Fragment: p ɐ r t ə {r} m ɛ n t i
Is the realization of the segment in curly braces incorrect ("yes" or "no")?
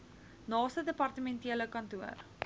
yes